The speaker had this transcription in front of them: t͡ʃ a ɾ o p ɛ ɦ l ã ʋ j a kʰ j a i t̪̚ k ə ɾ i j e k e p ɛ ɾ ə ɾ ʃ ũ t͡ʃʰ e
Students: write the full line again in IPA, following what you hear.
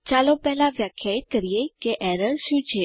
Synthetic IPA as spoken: t͡ʃ a l o p ɛ ɦ l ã ʋ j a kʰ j a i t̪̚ k ə ɾ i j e k e ʔ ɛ ɾ ə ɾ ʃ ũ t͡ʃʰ e